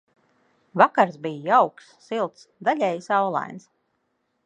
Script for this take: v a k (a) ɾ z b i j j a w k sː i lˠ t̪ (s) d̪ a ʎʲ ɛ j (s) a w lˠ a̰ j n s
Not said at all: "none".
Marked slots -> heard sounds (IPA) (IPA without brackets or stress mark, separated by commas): a, s, s